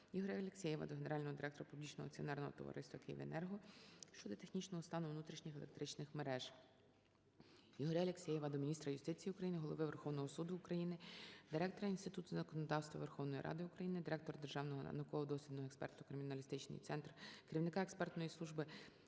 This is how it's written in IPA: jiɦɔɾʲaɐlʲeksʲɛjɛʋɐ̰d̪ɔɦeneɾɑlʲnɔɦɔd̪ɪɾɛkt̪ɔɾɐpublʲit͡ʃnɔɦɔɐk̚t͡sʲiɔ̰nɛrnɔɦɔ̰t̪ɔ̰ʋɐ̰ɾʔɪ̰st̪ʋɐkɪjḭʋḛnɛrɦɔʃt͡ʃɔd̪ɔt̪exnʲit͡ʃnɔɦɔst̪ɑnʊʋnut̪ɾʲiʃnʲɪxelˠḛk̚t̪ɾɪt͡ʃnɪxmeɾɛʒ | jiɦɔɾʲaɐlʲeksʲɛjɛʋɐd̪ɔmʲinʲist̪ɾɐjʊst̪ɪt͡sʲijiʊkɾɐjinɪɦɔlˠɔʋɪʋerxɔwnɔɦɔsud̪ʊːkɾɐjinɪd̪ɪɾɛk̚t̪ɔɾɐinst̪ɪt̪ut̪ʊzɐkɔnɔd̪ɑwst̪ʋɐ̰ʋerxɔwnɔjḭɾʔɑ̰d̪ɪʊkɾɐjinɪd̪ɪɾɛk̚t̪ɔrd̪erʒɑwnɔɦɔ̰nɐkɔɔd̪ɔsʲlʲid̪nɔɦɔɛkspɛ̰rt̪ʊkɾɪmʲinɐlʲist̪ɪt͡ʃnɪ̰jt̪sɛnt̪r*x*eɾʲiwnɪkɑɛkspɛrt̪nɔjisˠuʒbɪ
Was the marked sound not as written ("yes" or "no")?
yes